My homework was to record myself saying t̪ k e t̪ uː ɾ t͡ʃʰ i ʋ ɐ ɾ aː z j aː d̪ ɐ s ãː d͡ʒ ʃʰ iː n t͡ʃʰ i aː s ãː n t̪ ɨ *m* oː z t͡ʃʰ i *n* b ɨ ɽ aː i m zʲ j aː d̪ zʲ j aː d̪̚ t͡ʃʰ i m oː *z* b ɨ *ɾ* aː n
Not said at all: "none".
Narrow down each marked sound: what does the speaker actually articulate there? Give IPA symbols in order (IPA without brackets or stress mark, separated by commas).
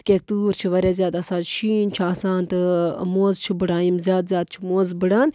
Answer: m, none, z, ɽ